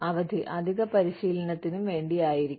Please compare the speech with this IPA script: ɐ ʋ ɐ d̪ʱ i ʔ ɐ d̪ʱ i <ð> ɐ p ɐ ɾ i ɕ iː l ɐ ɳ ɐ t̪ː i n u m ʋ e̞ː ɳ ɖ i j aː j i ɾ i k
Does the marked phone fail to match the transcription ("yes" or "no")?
yes